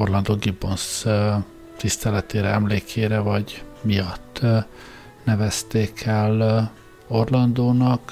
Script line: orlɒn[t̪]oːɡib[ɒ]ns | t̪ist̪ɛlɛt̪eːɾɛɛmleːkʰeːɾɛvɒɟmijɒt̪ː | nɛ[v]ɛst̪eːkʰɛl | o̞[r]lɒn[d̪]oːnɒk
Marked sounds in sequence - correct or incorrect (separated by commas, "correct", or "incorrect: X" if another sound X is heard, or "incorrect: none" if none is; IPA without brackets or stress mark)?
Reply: incorrect: d̪, incorrect: o, correct, correct, correct